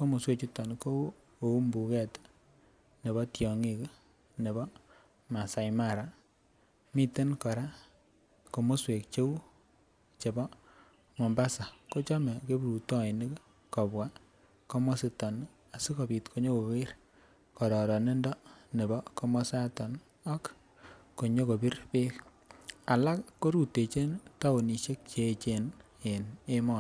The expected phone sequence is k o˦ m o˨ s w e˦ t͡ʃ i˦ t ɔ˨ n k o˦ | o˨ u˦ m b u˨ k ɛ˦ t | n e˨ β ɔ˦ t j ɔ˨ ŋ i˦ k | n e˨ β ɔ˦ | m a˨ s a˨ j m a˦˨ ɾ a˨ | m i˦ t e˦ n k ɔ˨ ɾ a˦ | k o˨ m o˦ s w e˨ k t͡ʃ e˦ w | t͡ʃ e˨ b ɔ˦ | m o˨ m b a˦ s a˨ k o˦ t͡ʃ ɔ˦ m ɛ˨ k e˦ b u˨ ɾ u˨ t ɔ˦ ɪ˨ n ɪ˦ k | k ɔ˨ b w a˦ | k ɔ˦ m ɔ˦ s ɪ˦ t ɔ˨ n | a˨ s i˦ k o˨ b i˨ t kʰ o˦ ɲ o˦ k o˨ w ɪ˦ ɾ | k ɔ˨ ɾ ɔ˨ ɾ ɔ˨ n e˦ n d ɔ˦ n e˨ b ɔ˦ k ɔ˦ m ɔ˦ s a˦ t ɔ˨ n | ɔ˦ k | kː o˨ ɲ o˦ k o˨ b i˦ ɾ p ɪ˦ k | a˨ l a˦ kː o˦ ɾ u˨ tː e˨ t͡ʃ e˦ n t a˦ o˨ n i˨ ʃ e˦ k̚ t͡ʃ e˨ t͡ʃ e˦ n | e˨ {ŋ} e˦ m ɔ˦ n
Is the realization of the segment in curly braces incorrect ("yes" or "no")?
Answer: yes